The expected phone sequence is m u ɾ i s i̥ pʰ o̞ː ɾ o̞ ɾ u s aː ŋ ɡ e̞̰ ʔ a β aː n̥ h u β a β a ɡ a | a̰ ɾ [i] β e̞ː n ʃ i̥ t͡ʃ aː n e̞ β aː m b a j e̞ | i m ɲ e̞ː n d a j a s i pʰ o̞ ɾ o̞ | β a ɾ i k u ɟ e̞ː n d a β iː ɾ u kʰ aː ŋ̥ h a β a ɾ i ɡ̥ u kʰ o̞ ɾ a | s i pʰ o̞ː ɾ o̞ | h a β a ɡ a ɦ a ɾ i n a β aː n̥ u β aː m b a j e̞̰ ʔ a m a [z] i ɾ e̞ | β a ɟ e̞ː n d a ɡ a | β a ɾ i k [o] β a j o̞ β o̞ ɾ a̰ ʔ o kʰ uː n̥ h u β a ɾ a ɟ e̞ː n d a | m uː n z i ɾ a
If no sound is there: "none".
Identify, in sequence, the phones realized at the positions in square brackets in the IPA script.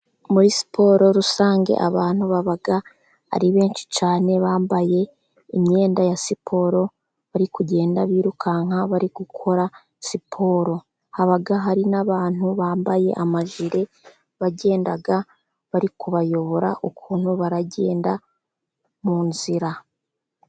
i, ʒ, u

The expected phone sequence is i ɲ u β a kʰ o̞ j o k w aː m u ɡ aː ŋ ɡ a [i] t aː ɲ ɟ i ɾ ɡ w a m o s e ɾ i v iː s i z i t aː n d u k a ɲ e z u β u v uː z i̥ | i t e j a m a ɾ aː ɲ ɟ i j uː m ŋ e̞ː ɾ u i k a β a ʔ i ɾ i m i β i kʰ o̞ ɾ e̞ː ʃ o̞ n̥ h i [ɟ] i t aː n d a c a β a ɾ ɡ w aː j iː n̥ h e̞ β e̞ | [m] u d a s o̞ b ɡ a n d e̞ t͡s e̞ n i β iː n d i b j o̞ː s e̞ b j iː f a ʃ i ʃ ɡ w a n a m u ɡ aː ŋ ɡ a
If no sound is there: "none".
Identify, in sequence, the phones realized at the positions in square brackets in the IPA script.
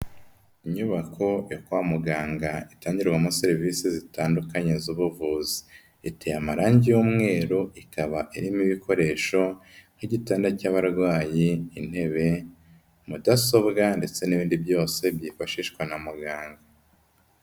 i, ɟ, m

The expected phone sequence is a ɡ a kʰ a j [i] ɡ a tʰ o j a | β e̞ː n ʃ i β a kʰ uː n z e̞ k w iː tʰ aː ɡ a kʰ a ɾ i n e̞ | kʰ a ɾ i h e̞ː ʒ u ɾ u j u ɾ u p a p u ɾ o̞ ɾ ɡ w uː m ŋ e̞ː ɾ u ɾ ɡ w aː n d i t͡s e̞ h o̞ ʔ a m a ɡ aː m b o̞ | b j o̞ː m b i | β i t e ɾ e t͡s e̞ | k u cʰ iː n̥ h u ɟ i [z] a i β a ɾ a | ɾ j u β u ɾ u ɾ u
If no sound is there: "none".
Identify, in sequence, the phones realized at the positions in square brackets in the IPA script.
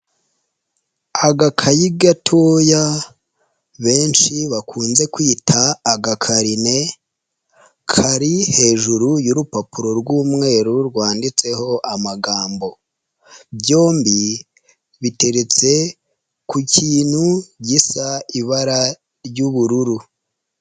i, s

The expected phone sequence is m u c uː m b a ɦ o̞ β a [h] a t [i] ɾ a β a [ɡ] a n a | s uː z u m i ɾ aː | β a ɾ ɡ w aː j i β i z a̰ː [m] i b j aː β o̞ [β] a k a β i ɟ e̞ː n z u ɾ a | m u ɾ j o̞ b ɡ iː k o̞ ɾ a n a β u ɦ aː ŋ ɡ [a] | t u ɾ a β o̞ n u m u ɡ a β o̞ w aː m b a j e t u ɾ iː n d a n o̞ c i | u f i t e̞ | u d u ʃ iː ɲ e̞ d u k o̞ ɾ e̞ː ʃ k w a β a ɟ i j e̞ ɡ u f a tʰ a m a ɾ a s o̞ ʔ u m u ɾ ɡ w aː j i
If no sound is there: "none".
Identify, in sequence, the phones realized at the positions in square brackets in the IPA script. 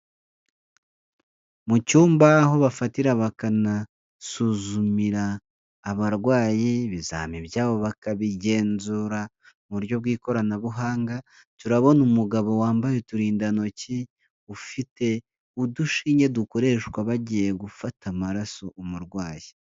f, i, k, m, β, a

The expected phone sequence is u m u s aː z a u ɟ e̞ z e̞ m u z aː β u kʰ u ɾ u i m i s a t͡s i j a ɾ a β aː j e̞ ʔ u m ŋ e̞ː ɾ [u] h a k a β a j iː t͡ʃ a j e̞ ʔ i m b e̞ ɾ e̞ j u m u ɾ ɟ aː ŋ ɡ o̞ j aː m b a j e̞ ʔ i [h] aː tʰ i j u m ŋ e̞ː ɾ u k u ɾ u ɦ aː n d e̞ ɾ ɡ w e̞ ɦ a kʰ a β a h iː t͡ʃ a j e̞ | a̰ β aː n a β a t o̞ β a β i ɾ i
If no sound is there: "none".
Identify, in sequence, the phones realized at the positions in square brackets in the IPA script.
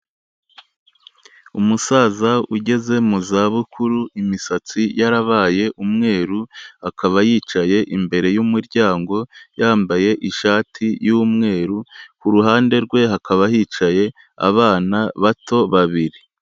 u, ʃ

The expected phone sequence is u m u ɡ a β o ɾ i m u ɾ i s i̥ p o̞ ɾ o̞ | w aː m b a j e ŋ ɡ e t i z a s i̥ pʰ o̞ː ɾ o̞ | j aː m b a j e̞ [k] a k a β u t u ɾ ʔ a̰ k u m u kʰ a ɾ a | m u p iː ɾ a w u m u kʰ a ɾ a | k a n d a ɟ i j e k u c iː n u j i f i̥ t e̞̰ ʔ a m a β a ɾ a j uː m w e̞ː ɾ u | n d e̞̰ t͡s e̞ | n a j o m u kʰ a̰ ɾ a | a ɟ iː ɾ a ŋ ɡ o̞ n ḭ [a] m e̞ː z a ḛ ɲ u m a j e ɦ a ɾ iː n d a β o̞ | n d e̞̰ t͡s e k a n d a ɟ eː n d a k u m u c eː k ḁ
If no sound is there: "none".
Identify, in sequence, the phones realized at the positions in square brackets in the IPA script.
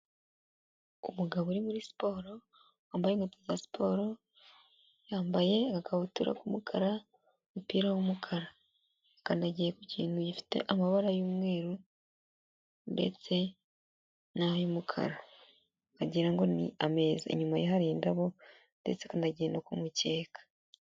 k, a

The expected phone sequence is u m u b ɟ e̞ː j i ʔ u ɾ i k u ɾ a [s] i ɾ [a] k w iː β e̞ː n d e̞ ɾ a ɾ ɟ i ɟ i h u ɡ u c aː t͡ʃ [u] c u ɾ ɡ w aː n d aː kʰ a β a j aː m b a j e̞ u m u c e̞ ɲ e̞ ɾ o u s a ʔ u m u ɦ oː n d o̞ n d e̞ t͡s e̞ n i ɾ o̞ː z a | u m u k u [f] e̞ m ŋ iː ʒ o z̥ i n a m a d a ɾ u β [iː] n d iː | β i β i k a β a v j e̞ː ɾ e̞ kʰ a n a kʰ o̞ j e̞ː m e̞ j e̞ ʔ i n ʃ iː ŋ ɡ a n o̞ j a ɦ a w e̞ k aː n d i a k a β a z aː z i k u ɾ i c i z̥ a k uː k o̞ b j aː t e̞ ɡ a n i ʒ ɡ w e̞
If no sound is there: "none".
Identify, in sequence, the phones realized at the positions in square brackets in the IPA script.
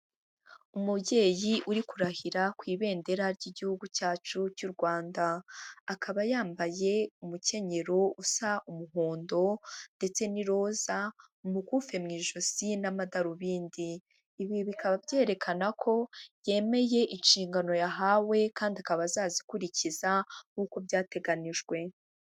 h, a, u, f, iː

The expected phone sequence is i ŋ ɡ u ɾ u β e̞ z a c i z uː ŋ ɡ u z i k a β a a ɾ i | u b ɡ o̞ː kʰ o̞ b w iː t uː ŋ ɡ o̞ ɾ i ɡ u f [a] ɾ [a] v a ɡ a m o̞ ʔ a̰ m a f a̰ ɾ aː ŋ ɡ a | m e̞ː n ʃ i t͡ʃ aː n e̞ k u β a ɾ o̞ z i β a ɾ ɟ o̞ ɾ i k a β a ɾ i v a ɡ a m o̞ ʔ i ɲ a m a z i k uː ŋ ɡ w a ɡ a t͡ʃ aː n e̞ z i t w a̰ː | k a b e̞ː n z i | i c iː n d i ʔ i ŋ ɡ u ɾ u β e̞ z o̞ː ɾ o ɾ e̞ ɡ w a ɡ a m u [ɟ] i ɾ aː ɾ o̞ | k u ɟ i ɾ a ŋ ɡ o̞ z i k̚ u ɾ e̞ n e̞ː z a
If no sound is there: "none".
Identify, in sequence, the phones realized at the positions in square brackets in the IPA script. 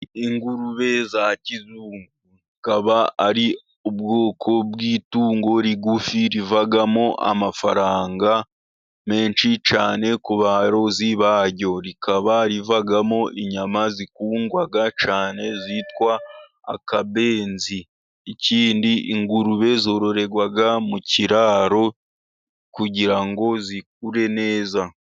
i, i, c

